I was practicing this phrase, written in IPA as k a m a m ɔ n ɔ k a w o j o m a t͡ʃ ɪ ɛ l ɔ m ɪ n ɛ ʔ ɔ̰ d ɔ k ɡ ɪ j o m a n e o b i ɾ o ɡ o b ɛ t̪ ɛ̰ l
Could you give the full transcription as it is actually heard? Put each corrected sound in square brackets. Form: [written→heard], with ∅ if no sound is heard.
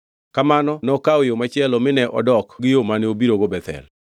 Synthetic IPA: k a m a [m→n] ɔ n ɔ k a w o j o m a t͡ʃ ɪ ɛ l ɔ m ɪ n ɛ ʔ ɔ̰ d ɔ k ɡ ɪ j o m a n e o b i ɾ o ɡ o b ɛ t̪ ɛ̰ l